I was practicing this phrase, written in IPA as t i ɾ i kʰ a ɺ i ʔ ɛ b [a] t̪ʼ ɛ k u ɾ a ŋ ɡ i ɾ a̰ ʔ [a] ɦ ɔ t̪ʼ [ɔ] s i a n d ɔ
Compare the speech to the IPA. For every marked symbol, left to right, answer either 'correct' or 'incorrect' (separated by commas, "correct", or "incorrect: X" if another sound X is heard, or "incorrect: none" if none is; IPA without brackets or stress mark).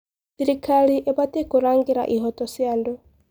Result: correct, incorrect: i, correct